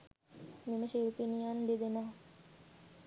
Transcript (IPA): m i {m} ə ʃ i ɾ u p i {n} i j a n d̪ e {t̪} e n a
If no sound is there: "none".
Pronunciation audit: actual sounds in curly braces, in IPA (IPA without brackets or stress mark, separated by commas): m, n, d̪